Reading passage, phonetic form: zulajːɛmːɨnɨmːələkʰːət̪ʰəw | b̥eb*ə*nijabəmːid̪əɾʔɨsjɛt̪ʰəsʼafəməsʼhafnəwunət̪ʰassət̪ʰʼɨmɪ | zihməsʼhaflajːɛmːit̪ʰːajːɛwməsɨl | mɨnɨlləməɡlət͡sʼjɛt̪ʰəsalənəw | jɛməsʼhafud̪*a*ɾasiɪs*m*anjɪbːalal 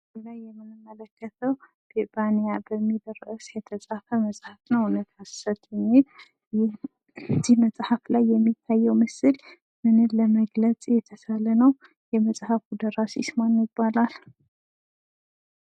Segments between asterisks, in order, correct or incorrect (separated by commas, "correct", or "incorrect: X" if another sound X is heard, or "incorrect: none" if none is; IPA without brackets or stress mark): incorrect: a, incorrect: ə, correct